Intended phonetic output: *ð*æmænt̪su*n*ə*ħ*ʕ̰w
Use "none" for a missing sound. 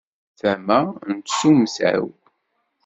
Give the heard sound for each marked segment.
θ, m, s

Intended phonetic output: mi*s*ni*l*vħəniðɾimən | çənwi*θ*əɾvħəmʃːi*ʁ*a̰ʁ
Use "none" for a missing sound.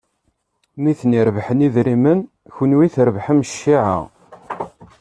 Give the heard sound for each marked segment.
θ, ɾ, θ, ʕ

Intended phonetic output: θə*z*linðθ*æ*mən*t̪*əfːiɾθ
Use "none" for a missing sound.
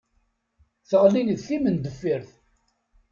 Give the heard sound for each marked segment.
ʁ, i, d̪

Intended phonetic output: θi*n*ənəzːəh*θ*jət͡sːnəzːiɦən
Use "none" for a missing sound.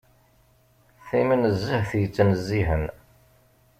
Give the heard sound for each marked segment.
m, θ

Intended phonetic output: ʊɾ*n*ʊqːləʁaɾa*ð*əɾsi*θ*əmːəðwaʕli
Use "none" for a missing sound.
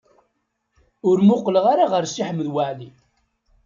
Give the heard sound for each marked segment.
m, ʁ, ħ

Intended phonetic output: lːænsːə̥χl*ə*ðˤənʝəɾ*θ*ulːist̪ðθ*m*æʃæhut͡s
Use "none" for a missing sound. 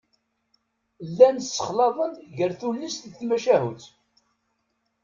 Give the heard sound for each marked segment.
ɑ, θ, m

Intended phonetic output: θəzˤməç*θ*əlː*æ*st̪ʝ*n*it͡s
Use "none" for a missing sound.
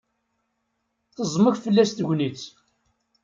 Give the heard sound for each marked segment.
f, æ, n

